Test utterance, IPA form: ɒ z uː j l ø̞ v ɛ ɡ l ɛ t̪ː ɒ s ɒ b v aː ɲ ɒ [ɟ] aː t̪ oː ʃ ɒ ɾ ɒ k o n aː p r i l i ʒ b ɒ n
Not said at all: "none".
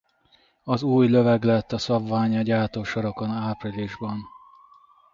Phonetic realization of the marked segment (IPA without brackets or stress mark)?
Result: ɟ